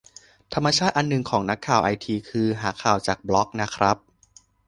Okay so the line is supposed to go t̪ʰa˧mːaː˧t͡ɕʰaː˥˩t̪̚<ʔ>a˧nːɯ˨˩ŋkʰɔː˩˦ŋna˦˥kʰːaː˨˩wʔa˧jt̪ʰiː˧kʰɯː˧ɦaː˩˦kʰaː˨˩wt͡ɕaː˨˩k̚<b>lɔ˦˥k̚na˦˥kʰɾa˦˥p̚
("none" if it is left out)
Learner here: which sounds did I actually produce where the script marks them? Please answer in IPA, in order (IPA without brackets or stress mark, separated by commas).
ʔ, b